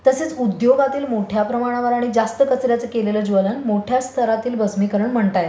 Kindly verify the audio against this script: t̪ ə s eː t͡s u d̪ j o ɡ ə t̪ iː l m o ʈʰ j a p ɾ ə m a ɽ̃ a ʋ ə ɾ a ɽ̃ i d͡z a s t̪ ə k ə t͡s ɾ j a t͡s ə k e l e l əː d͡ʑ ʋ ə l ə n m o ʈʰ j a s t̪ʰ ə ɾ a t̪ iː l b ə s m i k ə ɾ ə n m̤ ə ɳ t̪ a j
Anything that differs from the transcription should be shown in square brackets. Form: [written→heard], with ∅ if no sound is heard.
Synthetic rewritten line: t̪ ə s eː t͡s u d̪ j o ɡ [ə→a] t̪ iː l m o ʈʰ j a p ɾ ə m a ɽ̃ a ʋ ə ɾ a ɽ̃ i d͡z a s t̪ ə k ə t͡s ɾ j a t͡s ə k e l e l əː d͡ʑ ʋ ə l ə n m o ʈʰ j a s t̪ʰ ə ɾ a t̪ iː l b ə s m i k ə ɾ ə [n→ɳ] m̤ ə ɳ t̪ a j